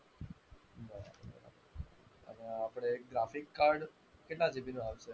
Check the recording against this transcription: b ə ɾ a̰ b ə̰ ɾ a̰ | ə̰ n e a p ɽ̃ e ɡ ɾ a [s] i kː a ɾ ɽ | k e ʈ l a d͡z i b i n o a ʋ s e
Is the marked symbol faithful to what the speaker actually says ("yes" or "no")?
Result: no